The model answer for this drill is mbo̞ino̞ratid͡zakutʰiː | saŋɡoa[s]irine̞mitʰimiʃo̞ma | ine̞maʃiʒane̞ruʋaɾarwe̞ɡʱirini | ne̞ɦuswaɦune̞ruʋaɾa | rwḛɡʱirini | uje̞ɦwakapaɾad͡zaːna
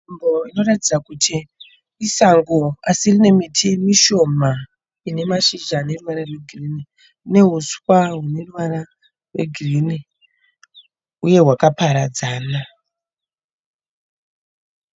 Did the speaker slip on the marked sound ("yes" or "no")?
no